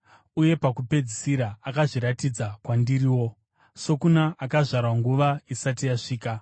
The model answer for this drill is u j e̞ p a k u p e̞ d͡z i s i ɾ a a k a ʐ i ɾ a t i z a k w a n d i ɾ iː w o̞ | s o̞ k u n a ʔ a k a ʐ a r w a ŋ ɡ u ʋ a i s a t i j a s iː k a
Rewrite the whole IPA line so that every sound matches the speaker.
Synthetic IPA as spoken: u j e̞ p a k u p e̞ d͡z i s i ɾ a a k a ʐ i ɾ a t i d͡z a k w a n d i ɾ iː w o̞ | s o̞ k u n a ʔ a k a ʐ a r w a ŋ ɡ u ʋ a i s a t i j a ʂ iː k a